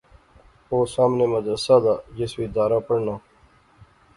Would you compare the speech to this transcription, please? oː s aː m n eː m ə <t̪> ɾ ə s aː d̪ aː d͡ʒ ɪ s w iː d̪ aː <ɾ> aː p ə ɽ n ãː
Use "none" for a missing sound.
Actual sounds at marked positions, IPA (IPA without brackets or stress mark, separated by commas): d̪, ɾ